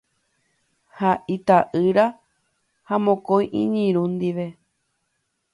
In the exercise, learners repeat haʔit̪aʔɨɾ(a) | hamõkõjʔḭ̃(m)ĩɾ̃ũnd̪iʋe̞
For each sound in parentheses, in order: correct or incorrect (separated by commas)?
correct, incorrect